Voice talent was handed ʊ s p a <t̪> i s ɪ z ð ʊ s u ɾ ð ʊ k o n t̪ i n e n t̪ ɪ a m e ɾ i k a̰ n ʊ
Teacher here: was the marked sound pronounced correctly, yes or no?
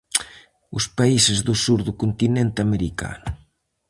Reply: no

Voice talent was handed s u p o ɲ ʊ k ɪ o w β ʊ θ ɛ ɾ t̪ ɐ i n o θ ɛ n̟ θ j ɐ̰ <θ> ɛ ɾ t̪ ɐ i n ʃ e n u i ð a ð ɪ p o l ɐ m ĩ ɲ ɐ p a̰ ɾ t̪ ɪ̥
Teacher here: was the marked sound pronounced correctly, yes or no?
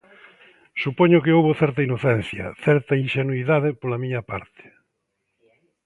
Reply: yes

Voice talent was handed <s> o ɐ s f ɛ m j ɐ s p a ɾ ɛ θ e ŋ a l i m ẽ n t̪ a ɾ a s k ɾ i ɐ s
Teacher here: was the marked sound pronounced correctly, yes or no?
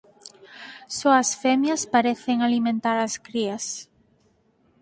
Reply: yes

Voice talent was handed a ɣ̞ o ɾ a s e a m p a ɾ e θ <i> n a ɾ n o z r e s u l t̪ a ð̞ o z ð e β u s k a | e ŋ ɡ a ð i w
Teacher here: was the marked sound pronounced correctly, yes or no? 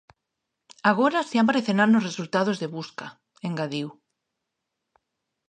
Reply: no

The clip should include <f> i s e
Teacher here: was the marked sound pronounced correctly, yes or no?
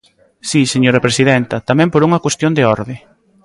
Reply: no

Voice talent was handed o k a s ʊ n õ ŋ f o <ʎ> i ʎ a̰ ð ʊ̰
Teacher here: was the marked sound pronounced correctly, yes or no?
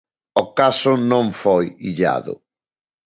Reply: no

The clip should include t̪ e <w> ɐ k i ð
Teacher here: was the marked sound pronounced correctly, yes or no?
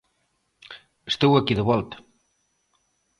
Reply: yes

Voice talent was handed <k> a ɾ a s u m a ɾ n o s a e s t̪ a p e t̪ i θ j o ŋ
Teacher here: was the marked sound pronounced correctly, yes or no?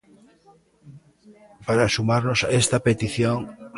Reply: no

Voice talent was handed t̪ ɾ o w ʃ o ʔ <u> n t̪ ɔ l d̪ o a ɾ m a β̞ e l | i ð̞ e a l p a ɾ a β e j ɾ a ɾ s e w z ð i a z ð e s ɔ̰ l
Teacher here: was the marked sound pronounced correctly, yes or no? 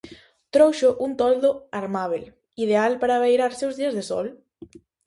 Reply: yes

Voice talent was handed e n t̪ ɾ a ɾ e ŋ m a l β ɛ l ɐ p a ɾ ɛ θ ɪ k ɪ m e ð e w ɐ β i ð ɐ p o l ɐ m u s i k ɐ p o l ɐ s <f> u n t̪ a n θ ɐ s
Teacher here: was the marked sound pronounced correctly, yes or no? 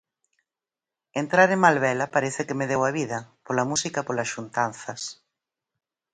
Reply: no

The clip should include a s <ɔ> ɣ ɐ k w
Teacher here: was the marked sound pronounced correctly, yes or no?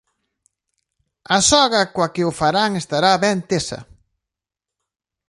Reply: yes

